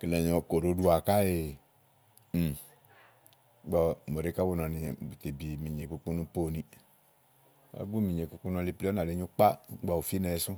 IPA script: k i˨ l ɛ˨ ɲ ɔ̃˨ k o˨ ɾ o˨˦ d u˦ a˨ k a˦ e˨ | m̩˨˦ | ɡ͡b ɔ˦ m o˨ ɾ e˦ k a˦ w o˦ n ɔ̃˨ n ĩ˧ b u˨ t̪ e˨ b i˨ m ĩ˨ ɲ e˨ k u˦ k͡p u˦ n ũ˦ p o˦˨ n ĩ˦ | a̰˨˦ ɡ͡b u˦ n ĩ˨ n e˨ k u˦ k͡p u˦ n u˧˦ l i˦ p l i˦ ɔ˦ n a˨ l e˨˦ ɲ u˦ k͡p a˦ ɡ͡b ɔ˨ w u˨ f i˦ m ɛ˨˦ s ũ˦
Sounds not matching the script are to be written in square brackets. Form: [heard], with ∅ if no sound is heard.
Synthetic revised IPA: k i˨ l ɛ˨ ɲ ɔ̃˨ k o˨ ɾ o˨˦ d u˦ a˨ k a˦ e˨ | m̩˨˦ | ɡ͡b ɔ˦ m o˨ ɾ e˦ k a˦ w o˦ n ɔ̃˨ n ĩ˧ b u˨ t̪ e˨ b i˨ m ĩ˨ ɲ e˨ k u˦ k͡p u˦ n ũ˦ p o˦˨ n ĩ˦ | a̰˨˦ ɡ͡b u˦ [m] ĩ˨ [ɲ] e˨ k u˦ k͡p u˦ n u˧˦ l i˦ p l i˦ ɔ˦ n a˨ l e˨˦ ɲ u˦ k͡p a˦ ɡ͡b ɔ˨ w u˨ f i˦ [n] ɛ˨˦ s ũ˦